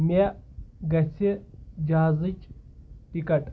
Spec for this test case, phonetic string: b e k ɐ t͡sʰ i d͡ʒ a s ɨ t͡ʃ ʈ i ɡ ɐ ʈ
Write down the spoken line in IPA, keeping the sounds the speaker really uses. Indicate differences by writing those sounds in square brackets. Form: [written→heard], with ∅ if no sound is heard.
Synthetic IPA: [b→m] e [k→ɡ] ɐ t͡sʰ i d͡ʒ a [s→z] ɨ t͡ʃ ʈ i [ɡ→k] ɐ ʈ